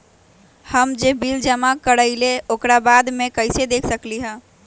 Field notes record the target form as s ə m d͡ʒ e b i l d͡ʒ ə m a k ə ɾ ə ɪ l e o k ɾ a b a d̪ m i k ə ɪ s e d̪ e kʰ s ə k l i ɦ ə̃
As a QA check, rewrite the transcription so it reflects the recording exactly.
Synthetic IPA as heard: h ə m d͡ʒ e b i l d͡ʒ ə m a k ə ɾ ə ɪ l e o k ɾ a b a d̪ m e k ə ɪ s e d̪ e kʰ s ə k l i ɦ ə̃